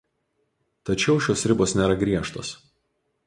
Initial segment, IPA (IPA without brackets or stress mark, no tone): t̪